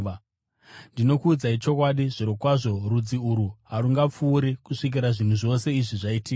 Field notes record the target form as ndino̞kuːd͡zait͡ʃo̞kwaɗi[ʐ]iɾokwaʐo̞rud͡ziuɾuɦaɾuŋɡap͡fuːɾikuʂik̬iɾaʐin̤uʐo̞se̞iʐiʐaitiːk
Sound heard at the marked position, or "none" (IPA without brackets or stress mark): ʐ